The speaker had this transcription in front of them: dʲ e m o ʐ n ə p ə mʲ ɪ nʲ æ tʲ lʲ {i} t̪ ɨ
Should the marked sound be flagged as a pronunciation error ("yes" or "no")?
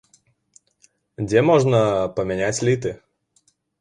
no